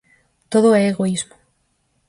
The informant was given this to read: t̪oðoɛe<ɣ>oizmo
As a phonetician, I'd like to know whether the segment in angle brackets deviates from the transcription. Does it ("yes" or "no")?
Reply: no